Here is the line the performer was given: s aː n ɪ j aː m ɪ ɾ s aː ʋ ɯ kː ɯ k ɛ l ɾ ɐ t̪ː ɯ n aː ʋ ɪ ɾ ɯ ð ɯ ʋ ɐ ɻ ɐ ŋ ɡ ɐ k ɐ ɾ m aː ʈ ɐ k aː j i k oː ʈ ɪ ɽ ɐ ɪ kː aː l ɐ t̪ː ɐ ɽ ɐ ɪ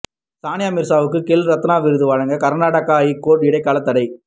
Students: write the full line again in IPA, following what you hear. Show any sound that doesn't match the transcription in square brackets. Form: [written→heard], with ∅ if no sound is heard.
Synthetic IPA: s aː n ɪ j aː m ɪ ɾ s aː ʋ ɯ kː ɯ k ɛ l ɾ ɐ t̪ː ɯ n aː ʋ ɪ ɾ ɯ ð ɯ ʋ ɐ ɻ ɐ ŋ ɡ ɐ k ɐ ɾ [m→n] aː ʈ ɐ k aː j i k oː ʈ ɪ ɽ ɐ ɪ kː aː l ɐ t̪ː ɐ ɽ ɐ ɪ